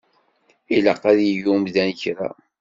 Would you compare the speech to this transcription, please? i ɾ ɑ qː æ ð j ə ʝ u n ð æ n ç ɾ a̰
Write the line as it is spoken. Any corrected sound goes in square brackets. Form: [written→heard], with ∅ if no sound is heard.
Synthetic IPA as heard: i [ɾ→l] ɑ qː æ ð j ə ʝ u [n→m] ð æ n ç ɾ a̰